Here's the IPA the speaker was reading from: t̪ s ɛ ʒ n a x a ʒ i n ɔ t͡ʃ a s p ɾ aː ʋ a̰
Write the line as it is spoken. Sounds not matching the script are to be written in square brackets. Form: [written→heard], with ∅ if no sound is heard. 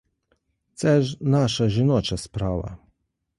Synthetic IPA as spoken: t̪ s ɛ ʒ n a [x→ʃ] a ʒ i n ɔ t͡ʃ a s p ɾ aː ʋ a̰